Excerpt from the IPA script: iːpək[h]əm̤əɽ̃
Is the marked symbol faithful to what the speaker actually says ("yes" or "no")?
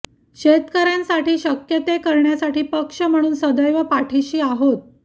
no